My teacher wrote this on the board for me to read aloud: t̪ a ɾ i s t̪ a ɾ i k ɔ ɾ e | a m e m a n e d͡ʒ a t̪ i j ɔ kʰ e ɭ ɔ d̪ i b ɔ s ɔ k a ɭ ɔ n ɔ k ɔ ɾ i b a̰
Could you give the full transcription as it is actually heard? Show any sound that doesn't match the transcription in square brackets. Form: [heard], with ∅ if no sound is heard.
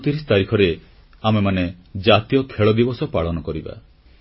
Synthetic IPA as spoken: t̪ [i] ɾ i s t̪ a ɾ i [kʰ] ɔ ɾ e | a m e m a n e d͡ʒ a t̪ i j ɔ kʰ e ɭ ɔ d̪ i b ɔ s ɔ [p] a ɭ ɔ n ɔ k ɔ ɾ i b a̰